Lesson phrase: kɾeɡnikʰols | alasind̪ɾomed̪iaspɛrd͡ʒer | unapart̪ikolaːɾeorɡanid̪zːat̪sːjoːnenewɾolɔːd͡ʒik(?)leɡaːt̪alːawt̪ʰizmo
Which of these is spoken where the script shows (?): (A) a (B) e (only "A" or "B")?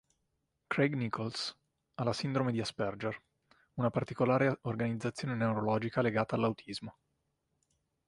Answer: A